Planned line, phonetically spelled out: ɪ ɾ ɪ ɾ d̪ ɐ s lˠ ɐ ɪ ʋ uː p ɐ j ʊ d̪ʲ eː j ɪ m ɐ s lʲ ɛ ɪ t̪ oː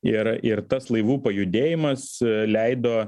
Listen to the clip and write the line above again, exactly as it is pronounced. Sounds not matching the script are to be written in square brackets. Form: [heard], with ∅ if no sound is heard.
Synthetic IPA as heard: ɪ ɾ ɪ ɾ [t̪] ɐ s lˠ ɐ ɪ ʋ uː p ɐ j ʊ d̪ʲ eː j ɪ m ɐ s lʲ ɛ ɪ [d̪] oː